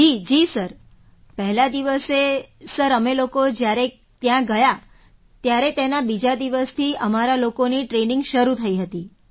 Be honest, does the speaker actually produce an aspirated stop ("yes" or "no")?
yes